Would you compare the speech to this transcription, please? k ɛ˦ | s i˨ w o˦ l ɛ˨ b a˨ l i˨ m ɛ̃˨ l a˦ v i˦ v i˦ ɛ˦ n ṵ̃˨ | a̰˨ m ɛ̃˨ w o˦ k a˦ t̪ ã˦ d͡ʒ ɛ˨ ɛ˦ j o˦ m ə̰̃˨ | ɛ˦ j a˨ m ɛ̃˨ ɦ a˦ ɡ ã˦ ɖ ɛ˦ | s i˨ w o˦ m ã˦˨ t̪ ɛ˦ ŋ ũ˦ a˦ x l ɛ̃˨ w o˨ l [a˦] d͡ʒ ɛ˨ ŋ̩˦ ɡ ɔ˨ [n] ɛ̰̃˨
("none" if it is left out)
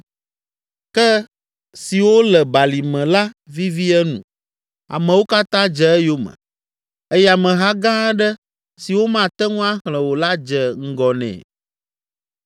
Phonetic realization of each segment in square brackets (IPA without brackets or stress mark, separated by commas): a˦, n